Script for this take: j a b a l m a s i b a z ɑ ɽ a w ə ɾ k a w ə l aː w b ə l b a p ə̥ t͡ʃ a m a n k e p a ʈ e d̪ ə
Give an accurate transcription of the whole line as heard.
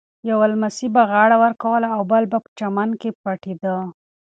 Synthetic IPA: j a w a l m a s i b a ɣ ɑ ɽ a w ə ɾ k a w ə l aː w b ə l b a p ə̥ t͡ʃ a m a n k e p a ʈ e d̪ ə